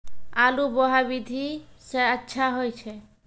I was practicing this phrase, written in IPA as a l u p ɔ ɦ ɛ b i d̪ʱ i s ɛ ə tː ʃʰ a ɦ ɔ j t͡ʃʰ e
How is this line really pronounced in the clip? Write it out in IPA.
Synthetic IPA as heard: a l u b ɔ ɦ a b i d̪ʱ i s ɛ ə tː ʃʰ a ɦ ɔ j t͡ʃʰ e